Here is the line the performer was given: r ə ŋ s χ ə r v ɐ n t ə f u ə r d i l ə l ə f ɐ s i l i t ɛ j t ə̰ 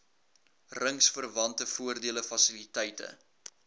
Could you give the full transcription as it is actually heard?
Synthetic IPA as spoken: r ə ŋ s f ə r v ɐ n t ə f u ə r d i ə l ə f ɐ s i l i t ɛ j t ə̰